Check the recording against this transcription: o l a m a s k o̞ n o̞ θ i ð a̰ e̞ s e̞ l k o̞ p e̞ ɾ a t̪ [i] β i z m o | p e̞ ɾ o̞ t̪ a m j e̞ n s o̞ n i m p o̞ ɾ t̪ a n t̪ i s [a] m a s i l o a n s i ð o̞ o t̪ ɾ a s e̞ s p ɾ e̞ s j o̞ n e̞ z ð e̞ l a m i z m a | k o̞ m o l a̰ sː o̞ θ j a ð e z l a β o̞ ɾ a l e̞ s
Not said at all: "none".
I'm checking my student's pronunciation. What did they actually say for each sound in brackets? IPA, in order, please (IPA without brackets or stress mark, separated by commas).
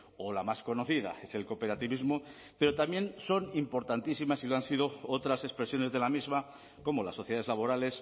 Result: i, i